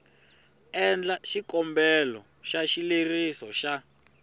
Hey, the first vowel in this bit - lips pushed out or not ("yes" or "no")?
no